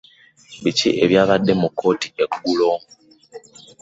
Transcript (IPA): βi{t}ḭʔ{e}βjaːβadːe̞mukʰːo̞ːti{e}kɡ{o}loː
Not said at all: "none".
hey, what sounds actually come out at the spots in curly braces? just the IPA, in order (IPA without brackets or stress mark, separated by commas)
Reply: c, e, e, u